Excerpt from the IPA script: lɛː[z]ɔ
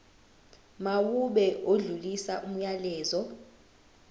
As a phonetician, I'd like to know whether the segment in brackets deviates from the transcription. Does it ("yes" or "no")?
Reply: no